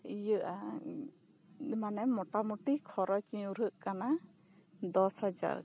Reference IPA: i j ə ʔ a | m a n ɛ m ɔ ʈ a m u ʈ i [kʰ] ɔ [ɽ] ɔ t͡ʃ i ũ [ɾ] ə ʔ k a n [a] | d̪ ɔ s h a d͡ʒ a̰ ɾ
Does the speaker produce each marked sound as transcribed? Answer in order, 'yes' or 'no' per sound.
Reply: yes, no, yes, yes

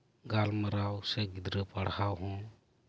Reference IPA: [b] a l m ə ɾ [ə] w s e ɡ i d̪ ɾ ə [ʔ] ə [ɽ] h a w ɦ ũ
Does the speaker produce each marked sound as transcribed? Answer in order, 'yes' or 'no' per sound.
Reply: no, no, no, yes

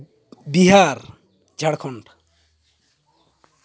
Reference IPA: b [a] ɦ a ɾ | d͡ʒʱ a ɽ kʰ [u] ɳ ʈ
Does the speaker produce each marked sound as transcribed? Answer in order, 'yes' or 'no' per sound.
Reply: no, no

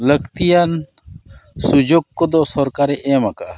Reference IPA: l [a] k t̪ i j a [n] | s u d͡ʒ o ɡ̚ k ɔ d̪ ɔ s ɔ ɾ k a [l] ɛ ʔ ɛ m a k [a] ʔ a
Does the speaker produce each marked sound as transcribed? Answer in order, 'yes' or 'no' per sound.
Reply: no, yes, no, yes

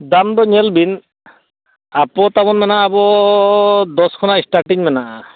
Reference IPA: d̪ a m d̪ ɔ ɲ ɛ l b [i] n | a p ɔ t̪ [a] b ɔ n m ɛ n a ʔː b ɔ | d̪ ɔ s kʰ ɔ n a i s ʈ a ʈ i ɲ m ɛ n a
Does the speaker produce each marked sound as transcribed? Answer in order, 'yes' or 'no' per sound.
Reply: yes, yes

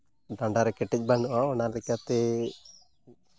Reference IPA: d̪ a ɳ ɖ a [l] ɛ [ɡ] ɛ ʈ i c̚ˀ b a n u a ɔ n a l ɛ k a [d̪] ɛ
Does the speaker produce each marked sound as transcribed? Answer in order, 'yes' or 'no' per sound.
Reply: no, no, no

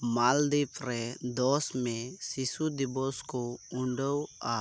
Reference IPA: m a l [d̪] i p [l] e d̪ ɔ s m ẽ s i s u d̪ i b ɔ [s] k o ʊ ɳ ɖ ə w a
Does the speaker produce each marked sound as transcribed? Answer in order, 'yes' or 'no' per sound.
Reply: yes, no, yes

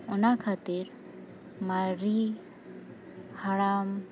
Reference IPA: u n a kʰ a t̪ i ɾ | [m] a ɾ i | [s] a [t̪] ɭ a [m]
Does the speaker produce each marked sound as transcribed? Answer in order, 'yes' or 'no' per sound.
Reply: yes, no, no, yes

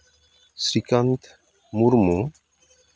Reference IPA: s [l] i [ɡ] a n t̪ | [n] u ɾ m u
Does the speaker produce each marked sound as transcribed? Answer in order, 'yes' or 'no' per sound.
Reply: no, no, no

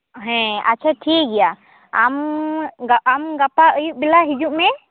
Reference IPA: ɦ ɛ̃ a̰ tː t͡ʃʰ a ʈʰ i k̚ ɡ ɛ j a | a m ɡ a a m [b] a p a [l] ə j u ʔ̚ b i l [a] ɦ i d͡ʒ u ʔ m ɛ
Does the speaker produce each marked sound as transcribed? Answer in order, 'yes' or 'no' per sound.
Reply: no, no, yes

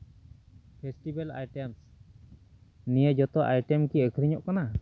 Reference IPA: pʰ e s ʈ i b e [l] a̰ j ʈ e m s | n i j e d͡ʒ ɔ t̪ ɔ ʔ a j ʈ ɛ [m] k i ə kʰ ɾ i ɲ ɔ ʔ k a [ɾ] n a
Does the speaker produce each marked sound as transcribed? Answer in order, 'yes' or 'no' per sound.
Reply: yes, yes, no

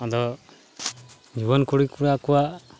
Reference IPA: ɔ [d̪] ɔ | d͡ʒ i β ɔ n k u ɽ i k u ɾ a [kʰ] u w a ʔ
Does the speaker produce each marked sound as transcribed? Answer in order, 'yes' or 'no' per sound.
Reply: yes, no

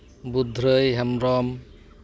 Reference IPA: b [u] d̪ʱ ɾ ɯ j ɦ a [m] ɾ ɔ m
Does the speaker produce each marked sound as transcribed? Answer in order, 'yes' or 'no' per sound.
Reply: yes, yes

